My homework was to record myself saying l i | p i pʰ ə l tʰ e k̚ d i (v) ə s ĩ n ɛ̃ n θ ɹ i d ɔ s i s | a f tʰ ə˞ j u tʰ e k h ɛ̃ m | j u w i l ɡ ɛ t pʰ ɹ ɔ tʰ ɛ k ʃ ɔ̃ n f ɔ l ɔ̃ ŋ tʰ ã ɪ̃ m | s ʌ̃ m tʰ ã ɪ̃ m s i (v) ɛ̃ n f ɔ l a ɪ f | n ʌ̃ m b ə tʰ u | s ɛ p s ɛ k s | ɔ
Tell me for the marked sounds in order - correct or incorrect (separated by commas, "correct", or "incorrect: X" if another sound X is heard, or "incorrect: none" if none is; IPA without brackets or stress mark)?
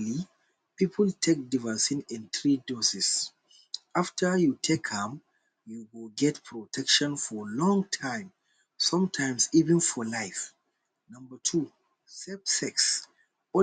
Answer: correct, correct